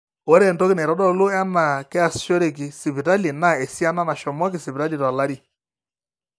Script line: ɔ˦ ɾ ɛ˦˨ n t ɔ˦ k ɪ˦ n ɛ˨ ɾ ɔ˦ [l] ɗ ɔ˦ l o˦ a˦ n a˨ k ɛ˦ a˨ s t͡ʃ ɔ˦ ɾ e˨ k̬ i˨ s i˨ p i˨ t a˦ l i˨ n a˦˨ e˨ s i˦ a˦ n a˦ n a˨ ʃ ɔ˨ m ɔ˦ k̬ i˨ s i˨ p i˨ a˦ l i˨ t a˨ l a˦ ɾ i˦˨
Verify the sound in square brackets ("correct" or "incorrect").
incorrect